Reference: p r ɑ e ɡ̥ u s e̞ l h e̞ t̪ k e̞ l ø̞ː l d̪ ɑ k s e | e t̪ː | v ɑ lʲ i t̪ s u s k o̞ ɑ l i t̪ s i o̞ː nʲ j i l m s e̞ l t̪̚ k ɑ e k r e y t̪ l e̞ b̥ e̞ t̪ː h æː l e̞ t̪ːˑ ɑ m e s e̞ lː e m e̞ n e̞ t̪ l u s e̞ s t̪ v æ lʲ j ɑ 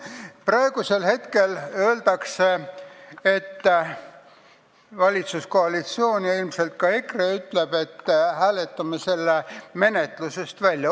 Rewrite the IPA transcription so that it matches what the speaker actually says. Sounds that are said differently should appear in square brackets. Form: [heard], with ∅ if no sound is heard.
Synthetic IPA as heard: p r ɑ e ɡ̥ u s e̞ l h e̞ t̪ k e̞ l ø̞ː l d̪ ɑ k s e | e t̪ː | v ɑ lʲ i t̪ s u s k o̞ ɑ l i t̪ s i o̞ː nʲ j i l m s e̞ l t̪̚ k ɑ e k r e y t̪ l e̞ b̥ e̞ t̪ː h æː l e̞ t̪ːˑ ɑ m e s e̞ lː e m e̞ n e̞ t̪ l u s e̞ s t̪ v æ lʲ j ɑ